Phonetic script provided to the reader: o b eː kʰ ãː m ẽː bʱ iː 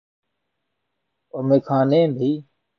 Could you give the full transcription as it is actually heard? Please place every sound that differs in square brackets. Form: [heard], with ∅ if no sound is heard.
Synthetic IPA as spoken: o [m] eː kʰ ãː [n] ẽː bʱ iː